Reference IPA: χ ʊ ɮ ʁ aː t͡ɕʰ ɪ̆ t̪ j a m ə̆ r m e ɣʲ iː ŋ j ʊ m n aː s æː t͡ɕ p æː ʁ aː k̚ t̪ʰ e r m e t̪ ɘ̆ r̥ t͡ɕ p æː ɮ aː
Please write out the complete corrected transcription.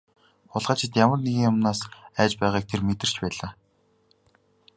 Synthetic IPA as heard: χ ʊ ɮ ʁ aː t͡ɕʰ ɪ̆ t̪ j a m ə̆ r n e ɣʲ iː ŋ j ʊ m n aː s æː t͡ɕ p æː ʁ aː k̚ t̪ʰ e r m e t̪ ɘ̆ r̥ t͡ɕ p æː ɮ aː